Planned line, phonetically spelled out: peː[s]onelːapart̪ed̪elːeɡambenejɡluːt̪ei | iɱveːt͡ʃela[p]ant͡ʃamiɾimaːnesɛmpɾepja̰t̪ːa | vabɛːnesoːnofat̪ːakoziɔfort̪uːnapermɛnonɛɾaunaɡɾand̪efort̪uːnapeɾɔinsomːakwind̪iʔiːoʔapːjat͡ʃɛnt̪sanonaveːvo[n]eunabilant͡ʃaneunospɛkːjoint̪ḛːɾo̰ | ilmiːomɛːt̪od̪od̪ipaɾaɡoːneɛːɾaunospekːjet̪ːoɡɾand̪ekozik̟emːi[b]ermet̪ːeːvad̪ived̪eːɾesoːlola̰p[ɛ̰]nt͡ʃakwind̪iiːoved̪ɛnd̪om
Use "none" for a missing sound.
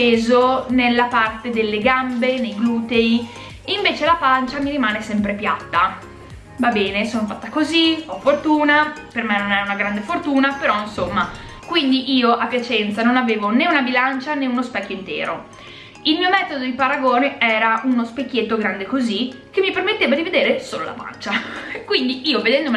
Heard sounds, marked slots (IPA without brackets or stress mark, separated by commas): z, p, n, p, a̰